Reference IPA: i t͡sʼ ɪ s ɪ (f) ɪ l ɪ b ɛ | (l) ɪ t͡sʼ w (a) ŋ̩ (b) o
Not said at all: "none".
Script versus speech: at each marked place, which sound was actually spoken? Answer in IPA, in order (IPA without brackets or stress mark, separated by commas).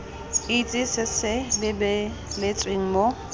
s, l, e, m